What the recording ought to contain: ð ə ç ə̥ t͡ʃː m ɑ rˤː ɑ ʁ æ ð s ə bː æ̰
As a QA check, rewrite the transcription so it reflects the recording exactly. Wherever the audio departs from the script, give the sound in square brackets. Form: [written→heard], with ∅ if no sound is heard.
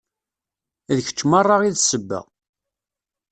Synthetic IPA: ð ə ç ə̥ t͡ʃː m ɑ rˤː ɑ ʁ [æ→i] ð s ə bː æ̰